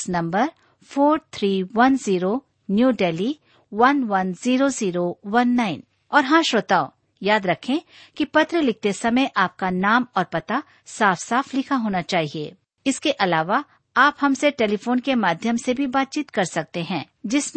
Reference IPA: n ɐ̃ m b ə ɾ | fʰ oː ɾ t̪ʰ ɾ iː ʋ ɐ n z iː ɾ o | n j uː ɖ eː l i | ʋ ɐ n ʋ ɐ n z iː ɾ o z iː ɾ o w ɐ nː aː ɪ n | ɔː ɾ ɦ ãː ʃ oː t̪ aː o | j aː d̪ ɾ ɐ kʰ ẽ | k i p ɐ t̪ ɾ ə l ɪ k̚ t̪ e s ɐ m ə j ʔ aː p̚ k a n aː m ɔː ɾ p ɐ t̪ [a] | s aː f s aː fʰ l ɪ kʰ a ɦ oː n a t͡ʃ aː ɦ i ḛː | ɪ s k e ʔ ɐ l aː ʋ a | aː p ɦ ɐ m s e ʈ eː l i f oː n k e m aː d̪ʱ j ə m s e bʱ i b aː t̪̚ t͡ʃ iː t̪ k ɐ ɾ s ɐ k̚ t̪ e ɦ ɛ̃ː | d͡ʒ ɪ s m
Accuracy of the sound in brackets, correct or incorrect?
correct